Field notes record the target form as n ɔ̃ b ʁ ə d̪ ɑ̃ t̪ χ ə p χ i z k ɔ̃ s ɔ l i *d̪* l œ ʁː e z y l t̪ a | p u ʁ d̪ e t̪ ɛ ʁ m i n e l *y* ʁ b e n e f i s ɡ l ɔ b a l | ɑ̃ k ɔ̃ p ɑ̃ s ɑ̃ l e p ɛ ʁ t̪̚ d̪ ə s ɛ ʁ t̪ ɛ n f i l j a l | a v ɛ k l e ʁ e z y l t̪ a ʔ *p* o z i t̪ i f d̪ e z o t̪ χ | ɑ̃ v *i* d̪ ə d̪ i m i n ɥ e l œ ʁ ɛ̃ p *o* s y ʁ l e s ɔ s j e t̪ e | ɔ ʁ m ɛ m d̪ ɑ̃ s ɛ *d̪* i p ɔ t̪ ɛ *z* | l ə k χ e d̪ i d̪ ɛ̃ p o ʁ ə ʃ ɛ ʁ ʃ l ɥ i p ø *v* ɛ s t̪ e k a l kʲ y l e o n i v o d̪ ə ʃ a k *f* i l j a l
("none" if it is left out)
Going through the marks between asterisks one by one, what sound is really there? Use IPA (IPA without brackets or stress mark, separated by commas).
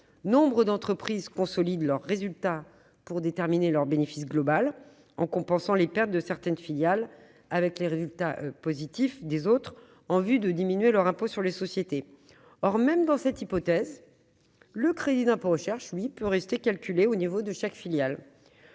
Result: d̪, œ, p, y, o, t̪, z, ʁ, f